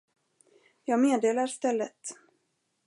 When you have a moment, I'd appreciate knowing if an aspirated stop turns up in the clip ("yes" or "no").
no